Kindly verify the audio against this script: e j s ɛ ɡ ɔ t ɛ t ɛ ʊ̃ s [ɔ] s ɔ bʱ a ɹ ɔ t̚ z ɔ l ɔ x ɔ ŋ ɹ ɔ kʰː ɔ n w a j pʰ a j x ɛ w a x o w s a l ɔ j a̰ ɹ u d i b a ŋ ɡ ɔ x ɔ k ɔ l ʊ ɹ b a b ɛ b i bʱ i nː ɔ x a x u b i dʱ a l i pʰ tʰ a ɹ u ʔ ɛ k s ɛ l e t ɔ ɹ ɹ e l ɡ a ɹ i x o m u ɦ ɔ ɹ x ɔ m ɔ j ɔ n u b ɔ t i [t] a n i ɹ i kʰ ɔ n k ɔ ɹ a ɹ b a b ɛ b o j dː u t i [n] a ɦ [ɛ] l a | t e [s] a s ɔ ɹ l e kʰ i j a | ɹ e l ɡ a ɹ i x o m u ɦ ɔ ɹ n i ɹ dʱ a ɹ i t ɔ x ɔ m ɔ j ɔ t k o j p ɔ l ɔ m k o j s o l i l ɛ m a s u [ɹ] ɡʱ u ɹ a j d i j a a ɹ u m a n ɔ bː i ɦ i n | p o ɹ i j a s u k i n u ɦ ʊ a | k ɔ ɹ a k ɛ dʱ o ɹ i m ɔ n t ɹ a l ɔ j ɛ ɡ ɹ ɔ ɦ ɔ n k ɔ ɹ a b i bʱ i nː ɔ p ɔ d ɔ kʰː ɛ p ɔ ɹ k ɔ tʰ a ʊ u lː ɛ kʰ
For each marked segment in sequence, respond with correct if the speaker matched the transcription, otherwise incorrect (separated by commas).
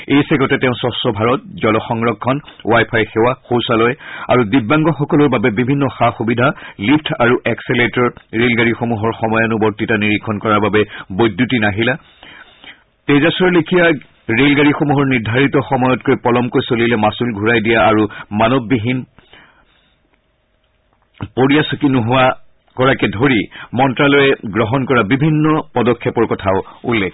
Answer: correct, correct, correct, incorrect, incorrect, incorrect